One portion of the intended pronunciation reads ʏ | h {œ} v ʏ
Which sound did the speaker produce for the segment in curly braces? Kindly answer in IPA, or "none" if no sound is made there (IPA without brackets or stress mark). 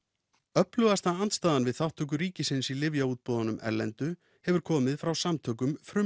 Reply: ɛ